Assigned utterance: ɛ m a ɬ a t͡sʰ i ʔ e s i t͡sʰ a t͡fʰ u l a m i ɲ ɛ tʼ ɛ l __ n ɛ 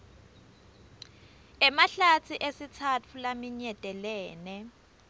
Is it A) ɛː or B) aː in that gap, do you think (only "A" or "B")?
A